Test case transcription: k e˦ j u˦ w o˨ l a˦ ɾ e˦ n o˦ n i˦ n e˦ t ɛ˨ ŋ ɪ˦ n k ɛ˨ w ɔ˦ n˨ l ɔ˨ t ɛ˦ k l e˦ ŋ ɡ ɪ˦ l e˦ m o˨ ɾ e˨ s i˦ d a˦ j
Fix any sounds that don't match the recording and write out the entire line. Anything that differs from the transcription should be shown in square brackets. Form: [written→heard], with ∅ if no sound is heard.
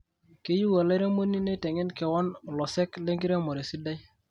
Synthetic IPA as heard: k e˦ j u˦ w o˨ l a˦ ɾ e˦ [n→m] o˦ n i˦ n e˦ t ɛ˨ ŋ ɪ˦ n k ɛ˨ w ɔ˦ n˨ l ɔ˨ [t→s] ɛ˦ k l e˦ ŋ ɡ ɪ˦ [l→ɾ] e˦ m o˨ ɾ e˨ s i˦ d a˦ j